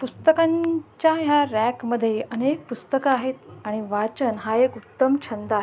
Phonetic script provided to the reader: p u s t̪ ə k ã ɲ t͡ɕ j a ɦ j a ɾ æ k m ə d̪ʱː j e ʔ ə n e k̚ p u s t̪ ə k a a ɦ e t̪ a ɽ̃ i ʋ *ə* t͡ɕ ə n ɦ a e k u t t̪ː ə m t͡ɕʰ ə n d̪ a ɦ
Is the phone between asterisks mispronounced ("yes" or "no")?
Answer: yes